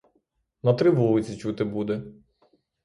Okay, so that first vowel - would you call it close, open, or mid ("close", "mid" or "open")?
open